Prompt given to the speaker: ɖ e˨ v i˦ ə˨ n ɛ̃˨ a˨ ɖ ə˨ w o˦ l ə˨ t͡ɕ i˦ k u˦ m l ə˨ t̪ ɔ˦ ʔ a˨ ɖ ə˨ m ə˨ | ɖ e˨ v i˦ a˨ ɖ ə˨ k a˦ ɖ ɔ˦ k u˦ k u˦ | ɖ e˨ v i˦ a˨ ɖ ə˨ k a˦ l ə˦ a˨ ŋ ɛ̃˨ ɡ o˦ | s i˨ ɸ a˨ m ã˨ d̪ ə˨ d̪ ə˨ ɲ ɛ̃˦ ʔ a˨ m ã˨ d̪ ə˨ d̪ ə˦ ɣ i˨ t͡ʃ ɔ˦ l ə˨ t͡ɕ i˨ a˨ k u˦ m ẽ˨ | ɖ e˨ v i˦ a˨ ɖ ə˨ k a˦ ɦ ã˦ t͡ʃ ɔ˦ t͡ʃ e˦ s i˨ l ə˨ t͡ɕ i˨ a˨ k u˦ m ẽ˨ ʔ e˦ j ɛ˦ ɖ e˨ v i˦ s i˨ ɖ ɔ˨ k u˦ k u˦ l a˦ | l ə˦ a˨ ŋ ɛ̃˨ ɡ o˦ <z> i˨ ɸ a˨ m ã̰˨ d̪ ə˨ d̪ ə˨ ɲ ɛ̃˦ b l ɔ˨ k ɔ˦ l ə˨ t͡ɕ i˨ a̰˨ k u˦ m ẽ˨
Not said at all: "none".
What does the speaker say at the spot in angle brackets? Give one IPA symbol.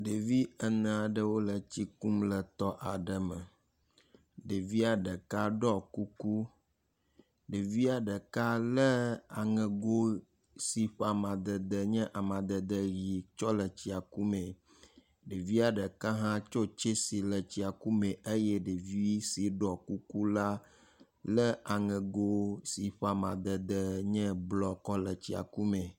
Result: s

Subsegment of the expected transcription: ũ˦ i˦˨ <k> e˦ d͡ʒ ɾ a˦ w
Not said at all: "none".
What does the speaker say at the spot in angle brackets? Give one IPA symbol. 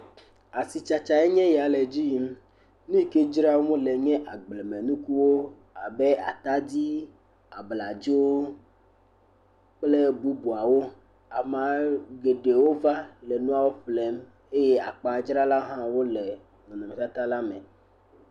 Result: k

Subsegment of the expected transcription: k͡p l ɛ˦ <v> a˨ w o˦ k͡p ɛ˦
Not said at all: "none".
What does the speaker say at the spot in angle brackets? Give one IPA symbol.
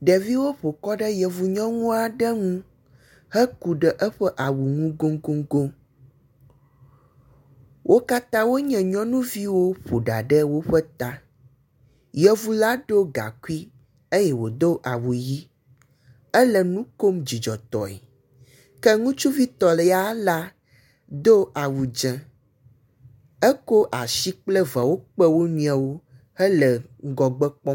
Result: v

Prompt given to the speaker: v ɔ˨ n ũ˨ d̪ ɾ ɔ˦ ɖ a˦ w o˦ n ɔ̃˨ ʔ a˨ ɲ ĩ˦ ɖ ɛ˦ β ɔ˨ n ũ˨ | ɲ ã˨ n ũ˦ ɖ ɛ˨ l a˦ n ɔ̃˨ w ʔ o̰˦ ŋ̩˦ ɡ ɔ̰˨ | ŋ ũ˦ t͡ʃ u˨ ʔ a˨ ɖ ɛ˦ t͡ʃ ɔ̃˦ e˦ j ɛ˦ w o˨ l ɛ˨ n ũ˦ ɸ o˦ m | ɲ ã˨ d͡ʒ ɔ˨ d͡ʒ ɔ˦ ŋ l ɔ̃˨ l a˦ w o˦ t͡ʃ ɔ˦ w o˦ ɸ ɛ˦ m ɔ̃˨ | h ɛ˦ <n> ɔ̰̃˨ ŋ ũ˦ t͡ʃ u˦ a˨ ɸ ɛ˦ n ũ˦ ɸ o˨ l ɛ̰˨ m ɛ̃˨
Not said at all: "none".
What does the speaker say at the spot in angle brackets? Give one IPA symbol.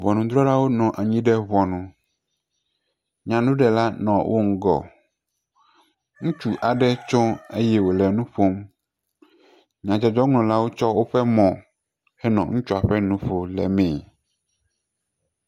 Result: n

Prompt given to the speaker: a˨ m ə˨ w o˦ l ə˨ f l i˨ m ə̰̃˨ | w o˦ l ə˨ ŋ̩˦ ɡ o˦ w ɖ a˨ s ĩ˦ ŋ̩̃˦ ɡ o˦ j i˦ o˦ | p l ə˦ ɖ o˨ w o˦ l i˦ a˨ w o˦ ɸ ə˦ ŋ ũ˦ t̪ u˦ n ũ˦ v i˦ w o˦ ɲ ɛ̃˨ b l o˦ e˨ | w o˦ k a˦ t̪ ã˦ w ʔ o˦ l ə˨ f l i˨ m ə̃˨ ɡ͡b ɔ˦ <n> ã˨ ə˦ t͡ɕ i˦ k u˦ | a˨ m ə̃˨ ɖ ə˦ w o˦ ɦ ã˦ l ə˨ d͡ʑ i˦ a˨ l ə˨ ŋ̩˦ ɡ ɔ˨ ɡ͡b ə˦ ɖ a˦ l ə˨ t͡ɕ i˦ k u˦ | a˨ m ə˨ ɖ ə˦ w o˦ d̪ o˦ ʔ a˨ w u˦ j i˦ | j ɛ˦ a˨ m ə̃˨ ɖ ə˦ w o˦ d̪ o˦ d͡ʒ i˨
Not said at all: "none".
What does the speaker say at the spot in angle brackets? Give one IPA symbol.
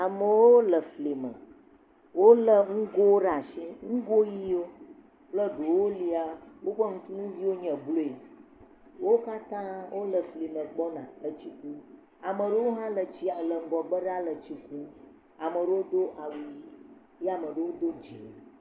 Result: n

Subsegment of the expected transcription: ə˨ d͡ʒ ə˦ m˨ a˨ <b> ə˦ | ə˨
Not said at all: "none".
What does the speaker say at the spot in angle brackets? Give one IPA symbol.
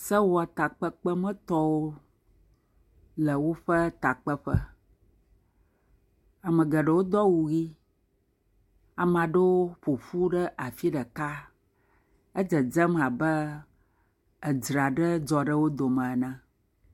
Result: b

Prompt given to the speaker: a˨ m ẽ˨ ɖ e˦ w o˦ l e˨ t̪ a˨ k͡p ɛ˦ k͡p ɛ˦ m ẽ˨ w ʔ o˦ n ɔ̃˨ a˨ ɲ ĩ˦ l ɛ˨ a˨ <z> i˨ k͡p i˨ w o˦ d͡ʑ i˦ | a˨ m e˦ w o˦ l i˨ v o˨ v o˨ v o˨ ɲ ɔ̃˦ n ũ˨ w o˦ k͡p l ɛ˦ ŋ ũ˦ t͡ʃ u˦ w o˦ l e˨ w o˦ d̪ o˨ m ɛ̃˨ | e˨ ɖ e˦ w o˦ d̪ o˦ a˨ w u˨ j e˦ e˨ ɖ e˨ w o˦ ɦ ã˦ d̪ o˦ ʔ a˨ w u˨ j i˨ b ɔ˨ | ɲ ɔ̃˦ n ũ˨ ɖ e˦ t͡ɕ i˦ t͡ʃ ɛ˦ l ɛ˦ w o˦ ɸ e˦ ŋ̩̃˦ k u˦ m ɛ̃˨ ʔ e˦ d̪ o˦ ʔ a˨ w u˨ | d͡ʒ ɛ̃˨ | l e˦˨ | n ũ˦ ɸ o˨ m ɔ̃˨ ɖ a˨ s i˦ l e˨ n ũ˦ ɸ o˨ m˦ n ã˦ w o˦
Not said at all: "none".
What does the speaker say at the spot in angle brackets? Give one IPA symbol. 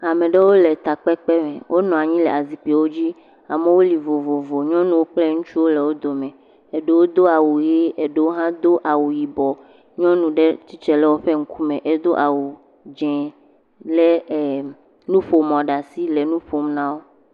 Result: z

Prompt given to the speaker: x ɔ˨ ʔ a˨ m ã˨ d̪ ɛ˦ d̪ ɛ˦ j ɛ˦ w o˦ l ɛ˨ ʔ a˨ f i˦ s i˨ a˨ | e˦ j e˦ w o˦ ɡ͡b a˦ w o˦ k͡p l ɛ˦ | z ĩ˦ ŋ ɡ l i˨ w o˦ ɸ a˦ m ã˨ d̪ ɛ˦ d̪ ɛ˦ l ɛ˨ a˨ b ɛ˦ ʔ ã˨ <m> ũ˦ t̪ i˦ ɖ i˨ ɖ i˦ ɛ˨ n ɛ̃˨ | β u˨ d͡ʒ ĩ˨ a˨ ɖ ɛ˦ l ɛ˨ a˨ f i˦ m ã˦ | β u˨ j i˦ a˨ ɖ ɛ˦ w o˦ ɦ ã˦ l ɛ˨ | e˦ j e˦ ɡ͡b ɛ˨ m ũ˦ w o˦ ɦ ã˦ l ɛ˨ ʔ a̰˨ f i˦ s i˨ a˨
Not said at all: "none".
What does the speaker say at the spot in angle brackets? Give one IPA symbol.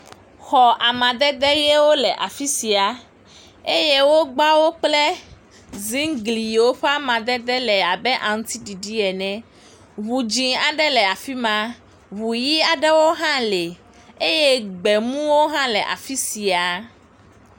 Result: ŋ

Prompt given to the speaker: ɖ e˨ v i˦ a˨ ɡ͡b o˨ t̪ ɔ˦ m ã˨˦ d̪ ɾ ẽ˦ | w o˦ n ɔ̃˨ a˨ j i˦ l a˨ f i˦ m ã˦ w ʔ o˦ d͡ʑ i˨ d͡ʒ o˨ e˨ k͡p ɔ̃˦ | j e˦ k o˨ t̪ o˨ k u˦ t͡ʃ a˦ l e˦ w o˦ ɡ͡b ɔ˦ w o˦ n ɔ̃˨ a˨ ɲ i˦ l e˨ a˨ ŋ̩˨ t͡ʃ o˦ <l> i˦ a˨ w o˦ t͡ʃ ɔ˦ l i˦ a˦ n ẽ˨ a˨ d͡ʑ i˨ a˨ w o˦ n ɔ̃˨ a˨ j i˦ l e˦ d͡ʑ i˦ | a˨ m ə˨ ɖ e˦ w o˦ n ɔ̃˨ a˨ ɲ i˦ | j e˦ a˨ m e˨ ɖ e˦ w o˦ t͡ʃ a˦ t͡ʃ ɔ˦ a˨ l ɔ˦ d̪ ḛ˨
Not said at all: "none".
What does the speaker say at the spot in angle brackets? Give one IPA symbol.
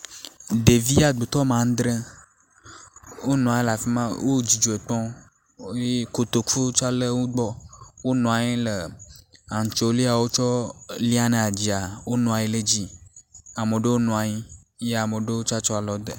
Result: l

